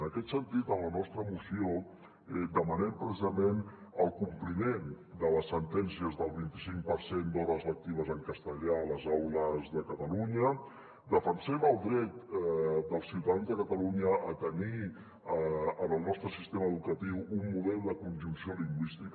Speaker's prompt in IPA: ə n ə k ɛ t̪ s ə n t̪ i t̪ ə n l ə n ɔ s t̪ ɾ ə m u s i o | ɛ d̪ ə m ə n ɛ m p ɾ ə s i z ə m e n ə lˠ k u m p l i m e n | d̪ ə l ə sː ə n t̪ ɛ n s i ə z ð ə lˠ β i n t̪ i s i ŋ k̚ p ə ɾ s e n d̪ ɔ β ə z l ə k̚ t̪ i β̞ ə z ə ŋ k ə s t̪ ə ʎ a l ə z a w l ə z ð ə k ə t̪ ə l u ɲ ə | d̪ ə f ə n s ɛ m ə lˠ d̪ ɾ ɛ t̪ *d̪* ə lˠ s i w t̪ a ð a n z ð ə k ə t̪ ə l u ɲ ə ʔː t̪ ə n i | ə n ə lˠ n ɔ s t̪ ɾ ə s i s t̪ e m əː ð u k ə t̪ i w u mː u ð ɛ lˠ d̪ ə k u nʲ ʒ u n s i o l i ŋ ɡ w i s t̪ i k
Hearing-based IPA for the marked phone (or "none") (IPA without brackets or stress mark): d̪